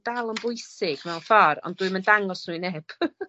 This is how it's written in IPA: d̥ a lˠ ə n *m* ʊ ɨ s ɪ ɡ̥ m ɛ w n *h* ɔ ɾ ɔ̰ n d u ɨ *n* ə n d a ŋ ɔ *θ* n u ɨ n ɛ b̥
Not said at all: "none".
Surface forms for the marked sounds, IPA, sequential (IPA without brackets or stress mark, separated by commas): b, f, m, s